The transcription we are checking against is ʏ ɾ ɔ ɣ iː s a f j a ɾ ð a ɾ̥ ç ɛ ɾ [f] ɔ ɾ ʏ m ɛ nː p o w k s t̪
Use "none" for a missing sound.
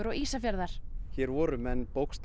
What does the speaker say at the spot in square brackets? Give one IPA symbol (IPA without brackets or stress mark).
v